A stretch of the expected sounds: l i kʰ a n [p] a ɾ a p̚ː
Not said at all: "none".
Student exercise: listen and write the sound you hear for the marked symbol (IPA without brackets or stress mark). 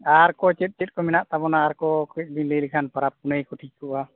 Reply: p